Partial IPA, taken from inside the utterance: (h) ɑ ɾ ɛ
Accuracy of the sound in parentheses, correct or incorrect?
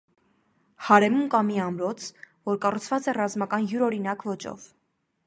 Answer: correct